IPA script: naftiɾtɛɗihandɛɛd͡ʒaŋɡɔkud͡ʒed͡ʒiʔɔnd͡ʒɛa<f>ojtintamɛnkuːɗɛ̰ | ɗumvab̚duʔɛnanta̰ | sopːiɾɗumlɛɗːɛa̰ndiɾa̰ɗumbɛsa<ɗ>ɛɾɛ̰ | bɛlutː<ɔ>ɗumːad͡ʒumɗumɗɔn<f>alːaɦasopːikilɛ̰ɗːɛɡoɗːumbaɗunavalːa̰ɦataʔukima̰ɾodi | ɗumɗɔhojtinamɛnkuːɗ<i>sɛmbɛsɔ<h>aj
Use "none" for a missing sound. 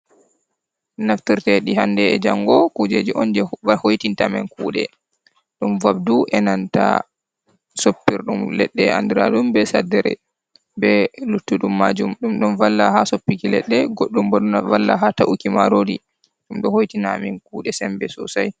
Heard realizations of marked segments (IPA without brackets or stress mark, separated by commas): h, d, u, v, ɛ, s